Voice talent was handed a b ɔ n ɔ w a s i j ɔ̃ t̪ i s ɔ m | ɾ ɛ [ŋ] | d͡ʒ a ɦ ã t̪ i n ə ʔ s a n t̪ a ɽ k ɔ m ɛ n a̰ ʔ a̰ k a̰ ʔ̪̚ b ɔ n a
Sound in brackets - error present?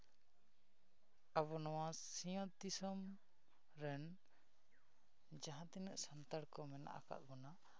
yes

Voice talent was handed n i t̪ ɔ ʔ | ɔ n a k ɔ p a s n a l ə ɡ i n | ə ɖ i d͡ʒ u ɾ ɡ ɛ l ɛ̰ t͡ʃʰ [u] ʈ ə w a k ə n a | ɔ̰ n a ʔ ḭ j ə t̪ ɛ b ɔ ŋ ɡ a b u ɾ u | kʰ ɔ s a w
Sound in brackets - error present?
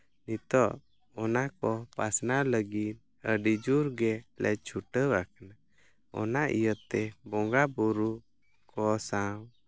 no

